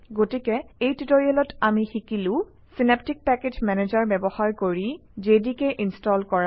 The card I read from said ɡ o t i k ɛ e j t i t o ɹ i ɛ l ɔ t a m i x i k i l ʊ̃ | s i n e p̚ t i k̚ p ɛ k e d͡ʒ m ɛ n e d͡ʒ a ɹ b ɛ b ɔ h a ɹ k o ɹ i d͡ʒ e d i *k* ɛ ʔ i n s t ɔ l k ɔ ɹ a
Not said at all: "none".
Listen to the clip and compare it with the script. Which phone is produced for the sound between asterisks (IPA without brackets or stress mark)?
k